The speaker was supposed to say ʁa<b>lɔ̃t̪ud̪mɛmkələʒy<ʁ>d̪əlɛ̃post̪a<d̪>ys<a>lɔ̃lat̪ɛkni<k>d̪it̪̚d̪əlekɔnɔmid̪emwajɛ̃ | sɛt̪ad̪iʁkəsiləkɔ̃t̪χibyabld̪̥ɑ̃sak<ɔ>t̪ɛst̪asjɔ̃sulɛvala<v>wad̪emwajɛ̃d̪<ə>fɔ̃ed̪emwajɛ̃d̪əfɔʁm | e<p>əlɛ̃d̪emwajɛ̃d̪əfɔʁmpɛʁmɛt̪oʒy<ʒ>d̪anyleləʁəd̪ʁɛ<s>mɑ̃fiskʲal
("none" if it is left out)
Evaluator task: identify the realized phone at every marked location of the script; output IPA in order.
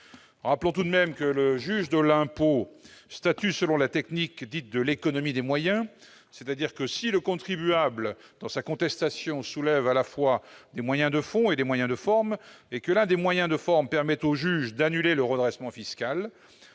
p, ʒ, t̪, ə, k, ɔ̃, f, ə, k, ʒ, s

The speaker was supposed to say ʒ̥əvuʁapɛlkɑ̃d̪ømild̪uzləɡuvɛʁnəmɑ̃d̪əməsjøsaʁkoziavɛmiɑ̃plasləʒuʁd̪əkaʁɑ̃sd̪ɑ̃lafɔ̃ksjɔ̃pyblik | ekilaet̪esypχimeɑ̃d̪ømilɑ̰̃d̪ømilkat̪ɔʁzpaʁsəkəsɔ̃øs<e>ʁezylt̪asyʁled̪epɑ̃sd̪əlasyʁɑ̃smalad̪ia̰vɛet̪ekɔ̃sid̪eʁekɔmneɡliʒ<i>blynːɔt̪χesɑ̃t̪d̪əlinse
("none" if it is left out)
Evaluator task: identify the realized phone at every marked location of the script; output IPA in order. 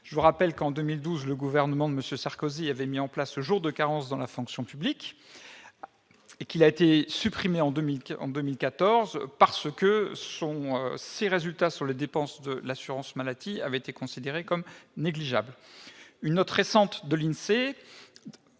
e, a

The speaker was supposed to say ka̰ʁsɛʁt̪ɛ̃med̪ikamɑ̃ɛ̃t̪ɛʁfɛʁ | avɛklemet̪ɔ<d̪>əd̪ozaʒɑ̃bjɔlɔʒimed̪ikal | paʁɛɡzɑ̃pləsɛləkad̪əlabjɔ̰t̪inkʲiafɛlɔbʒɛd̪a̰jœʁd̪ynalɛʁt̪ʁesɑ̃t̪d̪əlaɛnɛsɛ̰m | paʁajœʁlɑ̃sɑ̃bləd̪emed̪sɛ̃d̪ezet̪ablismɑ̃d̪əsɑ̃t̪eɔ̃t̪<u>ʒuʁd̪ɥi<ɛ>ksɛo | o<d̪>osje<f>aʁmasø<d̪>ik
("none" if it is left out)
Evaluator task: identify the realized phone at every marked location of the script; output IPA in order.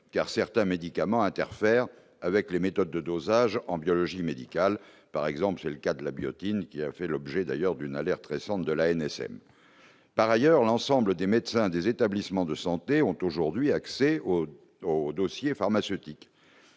d̪ː, o, a, d̪, f, t̪

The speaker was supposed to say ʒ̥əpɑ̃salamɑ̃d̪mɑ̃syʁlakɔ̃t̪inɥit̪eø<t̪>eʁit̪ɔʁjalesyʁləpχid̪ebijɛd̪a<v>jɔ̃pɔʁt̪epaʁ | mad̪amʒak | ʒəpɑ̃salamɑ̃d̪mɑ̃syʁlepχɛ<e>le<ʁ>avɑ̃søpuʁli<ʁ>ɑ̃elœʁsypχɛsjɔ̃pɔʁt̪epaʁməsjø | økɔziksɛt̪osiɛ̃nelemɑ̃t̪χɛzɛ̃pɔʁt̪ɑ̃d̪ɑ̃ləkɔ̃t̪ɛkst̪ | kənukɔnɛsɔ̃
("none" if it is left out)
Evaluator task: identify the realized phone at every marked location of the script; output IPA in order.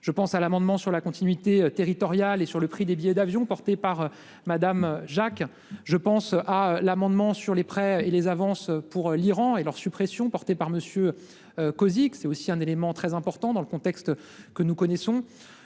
t̪, v, e, z, ʁ

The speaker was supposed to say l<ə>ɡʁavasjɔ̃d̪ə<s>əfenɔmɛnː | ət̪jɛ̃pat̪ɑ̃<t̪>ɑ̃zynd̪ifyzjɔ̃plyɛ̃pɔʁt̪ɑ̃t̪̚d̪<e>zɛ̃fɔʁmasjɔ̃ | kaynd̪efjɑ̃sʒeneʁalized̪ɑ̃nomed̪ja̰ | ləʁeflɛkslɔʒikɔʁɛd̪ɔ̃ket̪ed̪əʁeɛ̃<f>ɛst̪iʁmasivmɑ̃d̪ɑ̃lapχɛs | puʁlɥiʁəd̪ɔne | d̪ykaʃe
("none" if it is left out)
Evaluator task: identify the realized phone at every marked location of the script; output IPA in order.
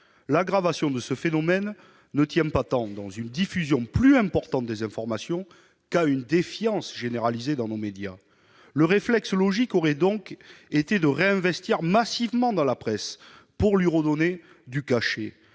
a, s, d̪, e, v

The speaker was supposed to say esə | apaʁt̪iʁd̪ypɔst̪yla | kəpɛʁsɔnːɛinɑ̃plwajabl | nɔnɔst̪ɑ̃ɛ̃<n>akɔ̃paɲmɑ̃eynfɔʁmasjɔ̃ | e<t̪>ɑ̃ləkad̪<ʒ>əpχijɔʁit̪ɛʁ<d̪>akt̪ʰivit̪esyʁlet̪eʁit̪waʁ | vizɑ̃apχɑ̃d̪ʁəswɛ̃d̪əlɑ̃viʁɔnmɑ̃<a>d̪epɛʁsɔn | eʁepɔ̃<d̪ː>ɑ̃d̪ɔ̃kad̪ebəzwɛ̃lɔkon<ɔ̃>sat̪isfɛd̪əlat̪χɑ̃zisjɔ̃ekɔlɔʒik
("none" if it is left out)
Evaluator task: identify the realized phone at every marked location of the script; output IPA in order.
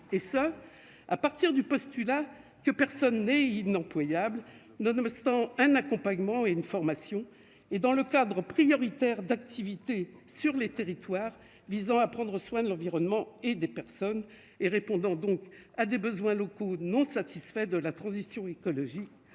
n, d̪, ʁ, d̪, e, d̪, ɔ̃

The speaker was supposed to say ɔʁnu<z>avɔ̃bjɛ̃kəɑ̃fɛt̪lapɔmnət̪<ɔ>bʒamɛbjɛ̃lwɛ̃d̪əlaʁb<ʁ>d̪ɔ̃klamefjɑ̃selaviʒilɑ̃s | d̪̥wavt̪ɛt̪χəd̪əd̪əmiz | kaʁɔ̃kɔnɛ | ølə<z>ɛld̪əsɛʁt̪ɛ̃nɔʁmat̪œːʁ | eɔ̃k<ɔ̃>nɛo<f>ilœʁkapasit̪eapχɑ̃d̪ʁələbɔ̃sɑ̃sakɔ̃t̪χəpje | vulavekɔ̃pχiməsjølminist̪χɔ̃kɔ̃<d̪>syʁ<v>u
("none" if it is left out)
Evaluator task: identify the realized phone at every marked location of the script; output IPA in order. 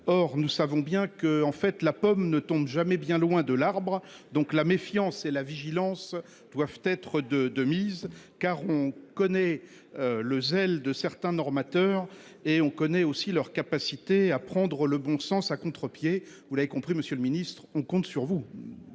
s, ɔ̃, ʁ, z, ɔ, s, t̪, v

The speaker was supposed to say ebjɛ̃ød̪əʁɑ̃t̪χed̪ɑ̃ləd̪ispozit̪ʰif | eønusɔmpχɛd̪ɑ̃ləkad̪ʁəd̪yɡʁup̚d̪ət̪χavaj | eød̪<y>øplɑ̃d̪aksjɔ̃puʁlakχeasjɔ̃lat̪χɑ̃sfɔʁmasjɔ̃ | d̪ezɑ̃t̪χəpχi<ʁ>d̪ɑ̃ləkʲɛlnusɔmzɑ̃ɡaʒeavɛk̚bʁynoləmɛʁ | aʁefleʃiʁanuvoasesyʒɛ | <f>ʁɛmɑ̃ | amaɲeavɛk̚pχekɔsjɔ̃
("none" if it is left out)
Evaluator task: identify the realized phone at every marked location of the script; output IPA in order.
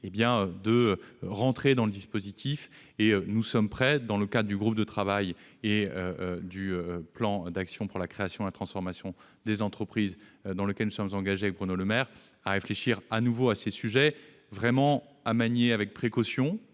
y, z, v

